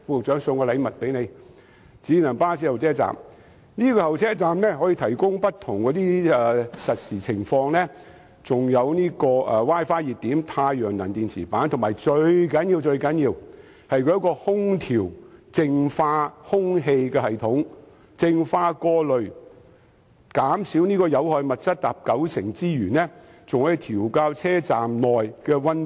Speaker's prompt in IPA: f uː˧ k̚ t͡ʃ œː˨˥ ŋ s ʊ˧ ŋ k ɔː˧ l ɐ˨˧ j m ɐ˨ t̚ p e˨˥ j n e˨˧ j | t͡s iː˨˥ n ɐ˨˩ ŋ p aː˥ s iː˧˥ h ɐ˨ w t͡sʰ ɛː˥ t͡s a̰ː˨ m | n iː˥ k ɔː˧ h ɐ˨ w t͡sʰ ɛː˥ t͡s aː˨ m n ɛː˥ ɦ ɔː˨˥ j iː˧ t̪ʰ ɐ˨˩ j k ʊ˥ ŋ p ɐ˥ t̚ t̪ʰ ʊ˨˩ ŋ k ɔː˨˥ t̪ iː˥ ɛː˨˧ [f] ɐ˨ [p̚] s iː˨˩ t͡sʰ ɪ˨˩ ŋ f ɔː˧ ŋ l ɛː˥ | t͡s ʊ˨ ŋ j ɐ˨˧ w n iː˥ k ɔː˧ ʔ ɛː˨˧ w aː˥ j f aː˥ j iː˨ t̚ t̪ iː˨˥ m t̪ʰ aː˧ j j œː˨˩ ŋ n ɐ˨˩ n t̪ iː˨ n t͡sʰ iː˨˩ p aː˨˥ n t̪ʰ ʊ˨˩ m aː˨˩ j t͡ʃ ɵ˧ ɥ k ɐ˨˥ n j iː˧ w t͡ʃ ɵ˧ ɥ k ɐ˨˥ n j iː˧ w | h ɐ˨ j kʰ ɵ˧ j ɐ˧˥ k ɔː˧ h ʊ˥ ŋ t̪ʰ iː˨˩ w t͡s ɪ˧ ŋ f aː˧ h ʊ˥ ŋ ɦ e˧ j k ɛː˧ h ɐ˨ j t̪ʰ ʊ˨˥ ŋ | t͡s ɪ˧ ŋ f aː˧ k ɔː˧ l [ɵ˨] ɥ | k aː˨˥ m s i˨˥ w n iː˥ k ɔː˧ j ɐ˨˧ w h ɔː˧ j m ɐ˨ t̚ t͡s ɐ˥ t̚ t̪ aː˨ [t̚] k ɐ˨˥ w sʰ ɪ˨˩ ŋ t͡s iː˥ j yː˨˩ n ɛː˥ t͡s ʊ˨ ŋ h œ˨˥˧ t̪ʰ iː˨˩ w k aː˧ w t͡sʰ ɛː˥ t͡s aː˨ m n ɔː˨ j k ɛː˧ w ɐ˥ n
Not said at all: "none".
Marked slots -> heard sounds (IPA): s, t̚, ɵ˨, p̚

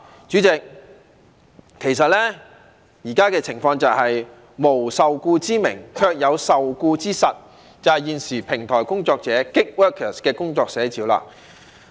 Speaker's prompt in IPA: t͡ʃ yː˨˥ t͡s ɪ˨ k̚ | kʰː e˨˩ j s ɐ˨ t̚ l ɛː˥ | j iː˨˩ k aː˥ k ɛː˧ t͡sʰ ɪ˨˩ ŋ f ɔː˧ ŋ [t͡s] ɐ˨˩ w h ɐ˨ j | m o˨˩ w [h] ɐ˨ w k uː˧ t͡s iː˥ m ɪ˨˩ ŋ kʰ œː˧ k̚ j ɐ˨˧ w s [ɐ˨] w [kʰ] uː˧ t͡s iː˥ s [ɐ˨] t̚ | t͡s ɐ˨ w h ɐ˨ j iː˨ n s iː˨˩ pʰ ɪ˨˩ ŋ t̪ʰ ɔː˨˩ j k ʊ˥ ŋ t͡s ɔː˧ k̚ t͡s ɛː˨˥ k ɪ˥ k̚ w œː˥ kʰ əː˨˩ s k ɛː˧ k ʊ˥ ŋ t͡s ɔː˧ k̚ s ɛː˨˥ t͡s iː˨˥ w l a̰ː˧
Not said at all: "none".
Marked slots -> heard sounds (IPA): t͡s, s, ɐ˨, k, ɐ˨

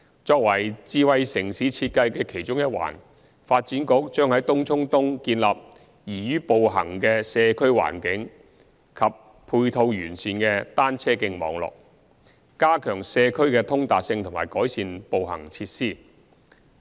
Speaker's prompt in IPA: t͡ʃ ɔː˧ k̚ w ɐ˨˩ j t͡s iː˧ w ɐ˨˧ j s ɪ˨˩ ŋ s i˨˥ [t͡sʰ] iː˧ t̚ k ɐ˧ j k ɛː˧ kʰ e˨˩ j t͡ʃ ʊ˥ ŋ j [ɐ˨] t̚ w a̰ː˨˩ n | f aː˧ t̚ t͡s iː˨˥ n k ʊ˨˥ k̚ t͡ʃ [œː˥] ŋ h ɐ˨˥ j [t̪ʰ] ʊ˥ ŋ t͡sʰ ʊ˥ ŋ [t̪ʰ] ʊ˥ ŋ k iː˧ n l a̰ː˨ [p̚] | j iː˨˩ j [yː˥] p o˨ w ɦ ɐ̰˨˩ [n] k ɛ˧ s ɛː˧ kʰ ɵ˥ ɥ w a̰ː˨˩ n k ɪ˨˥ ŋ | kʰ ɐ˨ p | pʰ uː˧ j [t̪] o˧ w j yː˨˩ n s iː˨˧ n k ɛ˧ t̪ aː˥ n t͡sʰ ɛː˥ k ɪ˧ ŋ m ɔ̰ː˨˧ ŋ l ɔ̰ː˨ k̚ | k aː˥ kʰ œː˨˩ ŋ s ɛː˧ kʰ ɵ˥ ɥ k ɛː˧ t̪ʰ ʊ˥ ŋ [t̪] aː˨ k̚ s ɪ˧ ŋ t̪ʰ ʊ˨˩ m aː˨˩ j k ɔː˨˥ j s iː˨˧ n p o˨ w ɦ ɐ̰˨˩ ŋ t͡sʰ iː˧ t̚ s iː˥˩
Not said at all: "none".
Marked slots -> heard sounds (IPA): t͡sʰ, ɐ˥, œː˥, t̪, t̪, p̚, yː˥, ŋ, t̪ʰ, t̪

